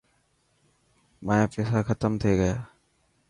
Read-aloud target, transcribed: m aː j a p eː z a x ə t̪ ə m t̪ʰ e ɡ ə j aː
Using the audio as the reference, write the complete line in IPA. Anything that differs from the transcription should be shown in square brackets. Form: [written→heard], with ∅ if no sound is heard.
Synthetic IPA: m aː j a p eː [z→s] a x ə t̪ ə m t̪ʰ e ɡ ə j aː